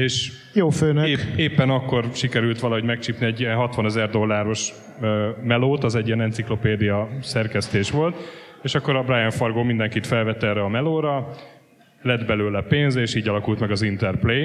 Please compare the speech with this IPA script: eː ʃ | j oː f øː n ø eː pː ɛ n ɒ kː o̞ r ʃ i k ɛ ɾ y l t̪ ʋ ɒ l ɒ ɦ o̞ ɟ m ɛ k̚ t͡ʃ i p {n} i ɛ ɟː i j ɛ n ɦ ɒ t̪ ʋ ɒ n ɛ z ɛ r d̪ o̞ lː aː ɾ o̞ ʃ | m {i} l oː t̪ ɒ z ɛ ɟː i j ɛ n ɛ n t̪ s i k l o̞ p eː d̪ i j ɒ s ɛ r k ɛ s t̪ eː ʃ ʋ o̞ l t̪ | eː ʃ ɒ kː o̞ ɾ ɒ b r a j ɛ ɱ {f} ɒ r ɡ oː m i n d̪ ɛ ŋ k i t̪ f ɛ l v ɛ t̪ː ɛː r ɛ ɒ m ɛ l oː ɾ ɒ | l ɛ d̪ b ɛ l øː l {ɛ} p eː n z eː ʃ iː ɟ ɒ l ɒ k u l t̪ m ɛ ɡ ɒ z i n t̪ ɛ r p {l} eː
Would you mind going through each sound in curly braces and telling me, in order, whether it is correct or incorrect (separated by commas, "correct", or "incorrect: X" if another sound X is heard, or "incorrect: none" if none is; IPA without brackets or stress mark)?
correct, incorrect: ɛ, correct, correct, correct